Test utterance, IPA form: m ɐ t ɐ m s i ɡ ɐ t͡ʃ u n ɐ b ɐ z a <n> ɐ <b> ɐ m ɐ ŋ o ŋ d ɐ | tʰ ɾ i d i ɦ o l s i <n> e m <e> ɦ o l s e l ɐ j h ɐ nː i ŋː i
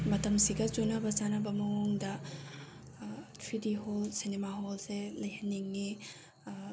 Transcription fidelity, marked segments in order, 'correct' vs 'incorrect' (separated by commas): correct, correct, correct, incorrect